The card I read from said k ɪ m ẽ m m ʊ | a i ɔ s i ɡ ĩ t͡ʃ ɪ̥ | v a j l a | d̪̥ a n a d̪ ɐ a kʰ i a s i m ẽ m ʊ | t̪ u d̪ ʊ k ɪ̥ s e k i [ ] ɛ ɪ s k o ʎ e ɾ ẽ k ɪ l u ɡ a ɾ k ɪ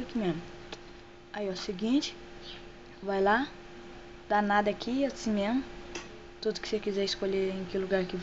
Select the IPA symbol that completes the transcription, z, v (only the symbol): z